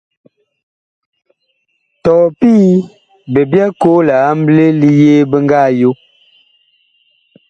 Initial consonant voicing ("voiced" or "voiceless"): voiceless